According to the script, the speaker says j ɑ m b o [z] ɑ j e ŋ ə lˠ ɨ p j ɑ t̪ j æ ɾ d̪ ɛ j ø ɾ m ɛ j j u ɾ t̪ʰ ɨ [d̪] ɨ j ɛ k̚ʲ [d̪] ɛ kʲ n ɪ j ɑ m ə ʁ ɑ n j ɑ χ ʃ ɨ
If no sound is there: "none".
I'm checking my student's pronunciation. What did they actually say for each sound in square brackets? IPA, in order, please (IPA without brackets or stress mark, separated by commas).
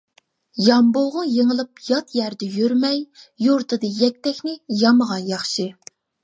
ʁ, d̪, t̪